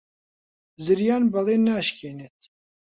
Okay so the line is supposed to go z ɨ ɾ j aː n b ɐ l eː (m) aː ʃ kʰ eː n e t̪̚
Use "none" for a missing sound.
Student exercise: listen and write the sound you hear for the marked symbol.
n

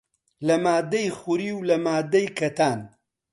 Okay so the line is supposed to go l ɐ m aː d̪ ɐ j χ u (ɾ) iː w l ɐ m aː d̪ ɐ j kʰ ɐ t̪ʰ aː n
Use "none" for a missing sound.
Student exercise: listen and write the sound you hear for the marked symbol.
ɾ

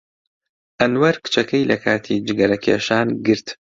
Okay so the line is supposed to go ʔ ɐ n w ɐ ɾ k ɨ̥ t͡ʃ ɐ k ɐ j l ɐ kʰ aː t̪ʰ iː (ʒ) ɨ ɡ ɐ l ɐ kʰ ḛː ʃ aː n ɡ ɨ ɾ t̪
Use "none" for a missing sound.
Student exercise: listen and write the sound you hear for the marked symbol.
d͡ʒ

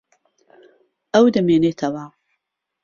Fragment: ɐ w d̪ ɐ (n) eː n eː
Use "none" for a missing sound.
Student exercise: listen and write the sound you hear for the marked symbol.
m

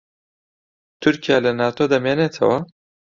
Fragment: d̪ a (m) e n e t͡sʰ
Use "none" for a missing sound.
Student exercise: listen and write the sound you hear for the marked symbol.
m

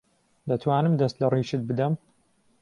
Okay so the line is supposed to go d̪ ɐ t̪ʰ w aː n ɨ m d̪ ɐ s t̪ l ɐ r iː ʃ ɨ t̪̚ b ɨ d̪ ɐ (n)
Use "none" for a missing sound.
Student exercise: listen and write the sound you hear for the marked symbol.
m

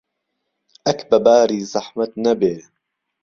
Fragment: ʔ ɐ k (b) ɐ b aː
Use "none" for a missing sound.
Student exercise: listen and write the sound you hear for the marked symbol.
b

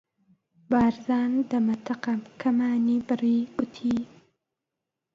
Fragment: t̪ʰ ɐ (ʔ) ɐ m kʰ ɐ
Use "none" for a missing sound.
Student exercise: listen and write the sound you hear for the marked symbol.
q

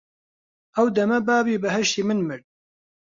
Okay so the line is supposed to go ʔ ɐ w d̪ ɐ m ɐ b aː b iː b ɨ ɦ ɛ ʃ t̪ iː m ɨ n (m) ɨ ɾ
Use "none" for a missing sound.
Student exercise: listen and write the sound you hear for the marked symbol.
m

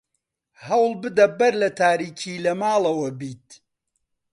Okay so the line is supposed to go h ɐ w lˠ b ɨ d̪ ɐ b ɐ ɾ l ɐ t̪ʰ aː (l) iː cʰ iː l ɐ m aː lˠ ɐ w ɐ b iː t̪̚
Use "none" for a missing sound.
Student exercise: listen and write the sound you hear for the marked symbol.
ɾ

